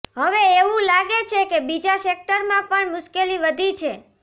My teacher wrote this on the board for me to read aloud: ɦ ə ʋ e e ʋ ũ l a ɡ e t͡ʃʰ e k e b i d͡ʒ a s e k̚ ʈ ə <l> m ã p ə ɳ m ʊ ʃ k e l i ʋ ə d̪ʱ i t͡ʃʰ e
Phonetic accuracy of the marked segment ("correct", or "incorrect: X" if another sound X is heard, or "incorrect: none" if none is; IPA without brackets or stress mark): incorrect: ɾ